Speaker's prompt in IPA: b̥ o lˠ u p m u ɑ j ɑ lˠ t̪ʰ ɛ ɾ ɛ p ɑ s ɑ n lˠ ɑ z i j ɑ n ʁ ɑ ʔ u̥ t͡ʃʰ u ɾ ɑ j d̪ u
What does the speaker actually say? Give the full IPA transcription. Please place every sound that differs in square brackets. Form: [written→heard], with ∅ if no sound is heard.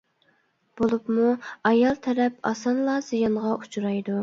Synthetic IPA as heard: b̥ o lˠ u p m u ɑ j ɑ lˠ t̪ʰ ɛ ɾ ɛ p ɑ s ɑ n lˠ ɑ z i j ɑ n ʁ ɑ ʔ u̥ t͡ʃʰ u ɾ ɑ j d̪ u

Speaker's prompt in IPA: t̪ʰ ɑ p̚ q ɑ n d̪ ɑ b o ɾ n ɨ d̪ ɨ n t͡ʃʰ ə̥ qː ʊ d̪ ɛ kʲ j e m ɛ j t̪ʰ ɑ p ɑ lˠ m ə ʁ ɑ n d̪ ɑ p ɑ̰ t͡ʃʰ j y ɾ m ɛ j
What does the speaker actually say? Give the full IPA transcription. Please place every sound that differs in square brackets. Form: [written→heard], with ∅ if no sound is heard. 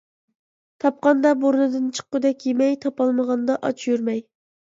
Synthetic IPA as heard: t̪ʰ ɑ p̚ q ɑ n d̪ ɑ b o ɾ n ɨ d̪ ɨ n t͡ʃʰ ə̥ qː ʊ d̪ ɛ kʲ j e m ɛ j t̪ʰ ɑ p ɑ lˠ m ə ʁ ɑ n d̪ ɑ [p→ʔ] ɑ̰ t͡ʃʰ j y ɾ m ɛ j

